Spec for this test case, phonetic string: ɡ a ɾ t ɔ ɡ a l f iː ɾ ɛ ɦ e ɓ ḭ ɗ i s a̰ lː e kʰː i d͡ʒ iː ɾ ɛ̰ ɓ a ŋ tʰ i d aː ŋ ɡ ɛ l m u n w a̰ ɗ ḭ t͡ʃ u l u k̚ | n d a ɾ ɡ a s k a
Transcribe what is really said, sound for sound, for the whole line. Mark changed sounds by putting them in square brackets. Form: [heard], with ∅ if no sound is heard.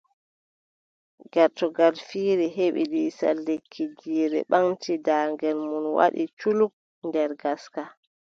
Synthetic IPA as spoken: ɡ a ɾ t ɔ ɡ a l f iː ɾ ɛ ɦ e ɓ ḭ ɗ i s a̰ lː e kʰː i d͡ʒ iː ɾ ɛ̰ ɓ a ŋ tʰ i d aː ŋ ɡ ɛ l m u n w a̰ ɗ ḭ t͡ʃ u l u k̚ | n d [ɛ] ɾ ɡ a s k a

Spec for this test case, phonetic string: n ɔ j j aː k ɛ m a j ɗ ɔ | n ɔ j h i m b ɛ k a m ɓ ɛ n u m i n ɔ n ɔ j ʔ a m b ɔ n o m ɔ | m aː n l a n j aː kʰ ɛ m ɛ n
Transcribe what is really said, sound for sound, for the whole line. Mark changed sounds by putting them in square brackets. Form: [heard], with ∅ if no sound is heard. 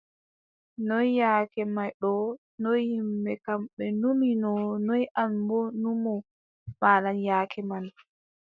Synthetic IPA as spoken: n ɔ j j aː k ɛ m a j ɗ ɔ | n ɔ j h i m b ɛ k a m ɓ ɛ n u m i n ɔ n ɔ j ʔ a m b ɔ n [u] m ɔ | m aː [∅] l a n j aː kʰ ɛ m [a] n

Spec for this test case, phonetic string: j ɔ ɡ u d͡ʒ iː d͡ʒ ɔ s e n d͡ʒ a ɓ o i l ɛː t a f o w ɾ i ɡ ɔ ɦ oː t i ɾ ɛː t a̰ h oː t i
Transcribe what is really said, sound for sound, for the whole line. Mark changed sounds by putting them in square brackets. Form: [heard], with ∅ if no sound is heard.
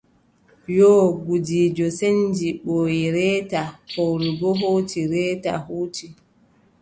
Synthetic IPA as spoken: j ɔ ɡ u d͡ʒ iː d͡ʒ ɔ s e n d͡ʒ [i] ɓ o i [ɾ] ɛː t a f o w ɾ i ɡ ɔ ɦ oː t i ɾ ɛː t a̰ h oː t i

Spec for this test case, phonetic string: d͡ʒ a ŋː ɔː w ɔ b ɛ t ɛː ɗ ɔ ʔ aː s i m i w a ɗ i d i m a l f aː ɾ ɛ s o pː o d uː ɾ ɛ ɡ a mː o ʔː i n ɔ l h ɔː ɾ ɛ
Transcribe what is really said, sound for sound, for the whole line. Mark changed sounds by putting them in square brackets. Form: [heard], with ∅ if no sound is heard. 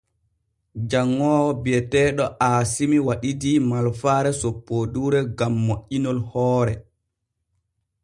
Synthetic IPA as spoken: d͡ʒ a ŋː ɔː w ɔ b ɛ t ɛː ɗ ɔ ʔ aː s i m i w a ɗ i d i m a l f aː ɾ ɛ s o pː o d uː ɾ ɛ ɡ a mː o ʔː i n ɔ l h ɔː ɾ ɛ

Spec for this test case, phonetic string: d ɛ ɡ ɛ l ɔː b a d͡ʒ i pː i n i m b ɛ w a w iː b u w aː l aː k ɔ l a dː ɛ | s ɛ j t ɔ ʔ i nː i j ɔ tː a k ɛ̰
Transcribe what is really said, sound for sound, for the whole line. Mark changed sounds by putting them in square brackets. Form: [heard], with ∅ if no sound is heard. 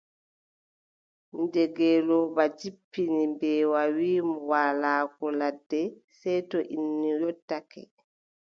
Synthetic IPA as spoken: d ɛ ɡ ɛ l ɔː b a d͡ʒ i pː i n i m b ɛ w a w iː [m] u w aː l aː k ɔ l a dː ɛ | s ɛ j t ɔ ʔ i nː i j ɔ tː a k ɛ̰

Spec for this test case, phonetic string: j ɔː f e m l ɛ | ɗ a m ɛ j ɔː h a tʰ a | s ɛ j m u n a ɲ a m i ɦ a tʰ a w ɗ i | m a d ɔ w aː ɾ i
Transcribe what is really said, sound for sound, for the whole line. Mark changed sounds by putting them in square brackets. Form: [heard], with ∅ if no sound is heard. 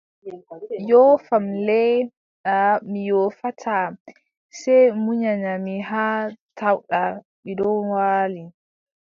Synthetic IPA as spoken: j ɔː f [a] m l ɛ | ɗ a m [i] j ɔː [f] a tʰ a | s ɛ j m u [ɲ] a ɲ a m i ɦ a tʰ a w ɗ [a] | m [i] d ɔ w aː [l] i

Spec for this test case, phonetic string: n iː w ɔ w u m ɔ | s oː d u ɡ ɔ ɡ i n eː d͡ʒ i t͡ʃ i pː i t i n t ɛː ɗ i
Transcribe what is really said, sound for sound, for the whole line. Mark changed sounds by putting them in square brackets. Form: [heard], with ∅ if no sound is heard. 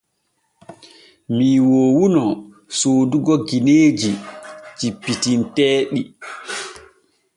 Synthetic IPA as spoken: [m] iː w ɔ w u [n] ɔ | s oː d u ɡ ɔ ɡ i n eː d͡ʒ i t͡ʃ i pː i t i n t ɛː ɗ i

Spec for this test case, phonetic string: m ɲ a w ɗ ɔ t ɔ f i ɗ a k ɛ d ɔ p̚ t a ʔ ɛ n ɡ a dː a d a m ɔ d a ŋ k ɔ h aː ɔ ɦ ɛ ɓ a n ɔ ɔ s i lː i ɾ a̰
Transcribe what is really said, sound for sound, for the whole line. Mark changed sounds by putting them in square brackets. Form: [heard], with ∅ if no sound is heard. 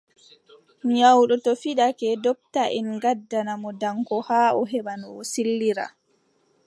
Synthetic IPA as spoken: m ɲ a w ɗ ɔ t ɔ f i ɗ a k ɛ d ɔ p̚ t a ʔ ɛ n ɡ a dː a [n] a m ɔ d a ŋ k ɔ h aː ɔ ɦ ɛ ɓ a n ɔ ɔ s i lː i ɾ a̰

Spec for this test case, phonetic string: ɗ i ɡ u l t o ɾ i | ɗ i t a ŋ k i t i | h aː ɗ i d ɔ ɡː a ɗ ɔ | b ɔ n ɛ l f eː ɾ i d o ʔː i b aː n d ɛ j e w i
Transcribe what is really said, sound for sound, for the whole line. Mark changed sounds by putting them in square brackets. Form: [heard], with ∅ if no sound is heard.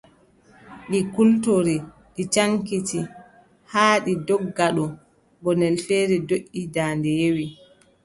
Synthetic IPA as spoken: ɗ i [k] u l t o ɾ i | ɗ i [t͡ʃ] a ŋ k i t i | h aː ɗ i d ɔ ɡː a ɗ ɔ | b ɔ n ɛ l f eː ɾ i d o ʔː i [d] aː n d ɛ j e w i

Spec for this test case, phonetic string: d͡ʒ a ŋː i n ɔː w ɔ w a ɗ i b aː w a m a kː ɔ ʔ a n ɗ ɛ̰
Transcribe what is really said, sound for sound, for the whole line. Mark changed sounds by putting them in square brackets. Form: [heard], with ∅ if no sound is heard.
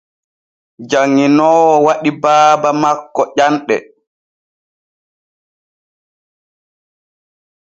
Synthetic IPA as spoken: d͡ʒ a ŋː i n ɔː w ɔ w a ɗ i b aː [b] a m a kː ɔ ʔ a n ɗ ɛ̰

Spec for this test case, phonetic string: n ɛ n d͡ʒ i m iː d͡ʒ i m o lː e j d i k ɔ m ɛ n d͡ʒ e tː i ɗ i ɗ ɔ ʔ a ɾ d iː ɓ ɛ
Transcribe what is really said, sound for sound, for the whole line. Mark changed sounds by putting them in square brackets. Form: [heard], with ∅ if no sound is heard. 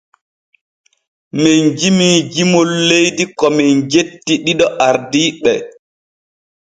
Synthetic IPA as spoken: [m] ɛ n d͡ʒ i m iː d͡ʒ i m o lː e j d i k ɔ m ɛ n d͡ʒ e tː i ɗ i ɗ ɔ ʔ a ɾ d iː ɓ ɛ

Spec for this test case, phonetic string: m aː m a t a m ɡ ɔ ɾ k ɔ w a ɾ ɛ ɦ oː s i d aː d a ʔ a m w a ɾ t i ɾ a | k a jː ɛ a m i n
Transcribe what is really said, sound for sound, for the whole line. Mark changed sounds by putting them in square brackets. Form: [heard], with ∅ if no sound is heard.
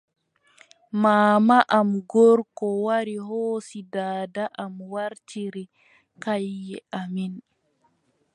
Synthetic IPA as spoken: m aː m a [ʔ] a m ɡ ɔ ɾ k ɔ w a ɾ [i] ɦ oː s i d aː d a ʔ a m w a ɾ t i ɾ [i] | k a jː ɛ a m i n

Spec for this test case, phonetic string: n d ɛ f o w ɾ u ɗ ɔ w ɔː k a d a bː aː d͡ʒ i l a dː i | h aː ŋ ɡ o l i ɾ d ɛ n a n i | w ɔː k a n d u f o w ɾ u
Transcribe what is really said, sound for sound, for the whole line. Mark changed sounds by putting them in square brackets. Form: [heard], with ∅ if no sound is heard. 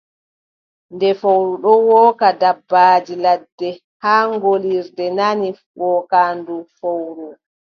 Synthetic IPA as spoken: n d ɛ f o w ɾ u ɗ ɔ w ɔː k a d a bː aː d͡ʒ i l a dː [ɛ] | h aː ŋ ɡ o l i ɾ d ɛ n a n i | w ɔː k a n d u f o w ɾ u

